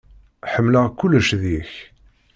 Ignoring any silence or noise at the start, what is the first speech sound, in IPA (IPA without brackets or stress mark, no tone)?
ħ